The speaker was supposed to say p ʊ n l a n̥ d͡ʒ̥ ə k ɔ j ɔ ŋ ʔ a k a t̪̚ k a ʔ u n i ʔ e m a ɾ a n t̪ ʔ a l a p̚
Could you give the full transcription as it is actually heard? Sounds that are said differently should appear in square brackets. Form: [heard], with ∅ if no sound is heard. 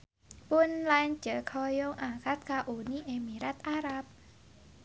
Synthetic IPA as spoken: p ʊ n l a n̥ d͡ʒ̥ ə [kʰ] ɔ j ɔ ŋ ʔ a k a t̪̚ k a ʔ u n i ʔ e m [i] ɾ a [∅] t̪ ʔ a [ɾ] a p̚